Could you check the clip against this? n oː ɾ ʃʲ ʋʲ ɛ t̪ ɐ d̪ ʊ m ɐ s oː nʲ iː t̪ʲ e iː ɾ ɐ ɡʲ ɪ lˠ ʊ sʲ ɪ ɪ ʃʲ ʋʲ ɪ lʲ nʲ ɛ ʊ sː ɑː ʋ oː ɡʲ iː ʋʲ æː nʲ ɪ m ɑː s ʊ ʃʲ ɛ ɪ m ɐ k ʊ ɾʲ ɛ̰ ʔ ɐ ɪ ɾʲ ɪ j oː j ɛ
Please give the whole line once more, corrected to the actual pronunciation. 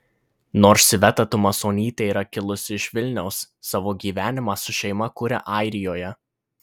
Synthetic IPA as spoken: n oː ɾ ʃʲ ʋʲ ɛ t̪ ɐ t̪ ʊ m ɐ s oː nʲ iː t̪ʲ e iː ɾ ɐ kʲ ɪ lˠ ʊ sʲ ɪ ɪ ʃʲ ʋʲ ɪ lʲ nʲ ɛ ʊ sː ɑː ʋ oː ɡʲ iː ʋʲ æː nʲ ɪ m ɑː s ʊ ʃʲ ɛ ɪ m ɐ k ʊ ɾʲ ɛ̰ ʔ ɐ ɪ ɾʲ ɪ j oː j ɛ